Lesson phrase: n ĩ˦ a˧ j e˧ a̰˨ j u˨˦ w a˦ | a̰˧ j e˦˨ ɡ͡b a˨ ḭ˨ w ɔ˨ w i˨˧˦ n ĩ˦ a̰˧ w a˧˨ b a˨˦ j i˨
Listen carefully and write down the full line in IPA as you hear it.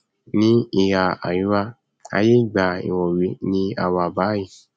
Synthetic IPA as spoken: n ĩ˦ i˧ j a˧ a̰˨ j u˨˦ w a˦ | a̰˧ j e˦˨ ɡ͡b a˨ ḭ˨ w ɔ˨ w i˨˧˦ n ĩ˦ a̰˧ w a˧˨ b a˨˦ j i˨